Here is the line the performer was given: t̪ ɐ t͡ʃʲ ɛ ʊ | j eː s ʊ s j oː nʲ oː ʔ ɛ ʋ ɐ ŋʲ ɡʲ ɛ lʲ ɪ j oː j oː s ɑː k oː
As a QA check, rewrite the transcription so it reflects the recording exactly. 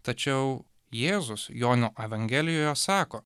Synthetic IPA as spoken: t̪ ɐ t͡ʃʲ ɛ ʊ | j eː z ʊ s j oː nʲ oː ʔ ɛ ʋ ɐ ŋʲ ɡʲ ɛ lʲ ɪ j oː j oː s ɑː k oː